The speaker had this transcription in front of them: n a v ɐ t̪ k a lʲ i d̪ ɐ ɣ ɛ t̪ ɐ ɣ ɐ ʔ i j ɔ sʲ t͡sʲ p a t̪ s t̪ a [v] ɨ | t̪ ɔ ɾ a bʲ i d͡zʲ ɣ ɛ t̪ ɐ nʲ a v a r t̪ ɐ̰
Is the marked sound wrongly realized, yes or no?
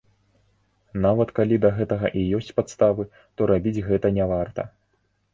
no